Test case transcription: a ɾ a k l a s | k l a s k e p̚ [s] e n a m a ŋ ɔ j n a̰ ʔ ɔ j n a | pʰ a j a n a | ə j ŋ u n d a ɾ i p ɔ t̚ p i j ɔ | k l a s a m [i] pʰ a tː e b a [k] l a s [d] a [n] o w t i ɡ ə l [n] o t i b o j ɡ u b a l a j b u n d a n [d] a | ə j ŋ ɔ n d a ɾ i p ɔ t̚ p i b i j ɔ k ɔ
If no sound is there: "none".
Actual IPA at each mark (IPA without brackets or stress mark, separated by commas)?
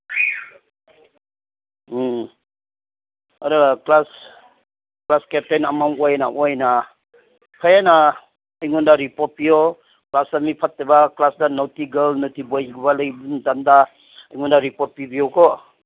t, i, k, d, n, n, d